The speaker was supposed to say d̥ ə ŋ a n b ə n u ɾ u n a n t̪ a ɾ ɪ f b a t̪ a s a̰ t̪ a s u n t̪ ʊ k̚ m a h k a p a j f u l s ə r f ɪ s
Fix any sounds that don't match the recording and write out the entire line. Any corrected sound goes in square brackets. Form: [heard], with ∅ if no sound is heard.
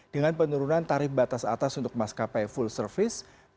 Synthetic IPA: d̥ ə ŋ a n [p] ə n u ɾ u n a n t̪ a ɾ ɪ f b a t̪ a s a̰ t̪ a s u n t̪ ʊ k̚ m a [s] k a p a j f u l s ə r f ɪ s